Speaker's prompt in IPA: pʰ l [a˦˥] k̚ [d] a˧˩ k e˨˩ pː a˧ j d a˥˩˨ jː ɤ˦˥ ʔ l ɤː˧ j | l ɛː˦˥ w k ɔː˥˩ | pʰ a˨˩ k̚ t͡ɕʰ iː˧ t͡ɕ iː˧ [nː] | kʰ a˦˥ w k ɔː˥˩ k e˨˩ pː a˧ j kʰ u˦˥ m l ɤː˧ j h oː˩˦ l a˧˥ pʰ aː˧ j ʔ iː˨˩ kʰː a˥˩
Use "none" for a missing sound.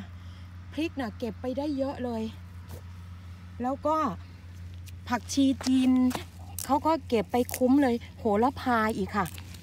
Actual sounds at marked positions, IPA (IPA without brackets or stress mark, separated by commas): i˦˥, n, n